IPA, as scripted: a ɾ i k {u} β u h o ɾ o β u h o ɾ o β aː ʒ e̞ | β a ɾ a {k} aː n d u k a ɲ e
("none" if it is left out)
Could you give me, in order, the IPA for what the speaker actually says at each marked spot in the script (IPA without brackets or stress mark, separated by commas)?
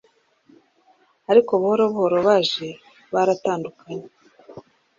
o, t